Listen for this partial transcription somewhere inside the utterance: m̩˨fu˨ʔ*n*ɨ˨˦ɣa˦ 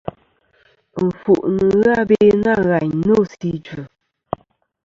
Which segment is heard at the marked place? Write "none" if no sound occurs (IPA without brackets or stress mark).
n